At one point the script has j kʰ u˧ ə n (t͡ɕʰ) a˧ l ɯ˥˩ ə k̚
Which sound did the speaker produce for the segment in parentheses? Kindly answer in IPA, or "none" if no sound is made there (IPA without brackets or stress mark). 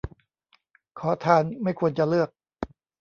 t͡ɕ